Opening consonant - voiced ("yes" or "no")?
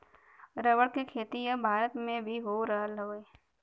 yes